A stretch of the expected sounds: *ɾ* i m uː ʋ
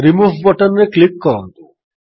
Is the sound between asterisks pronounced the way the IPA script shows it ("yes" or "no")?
yes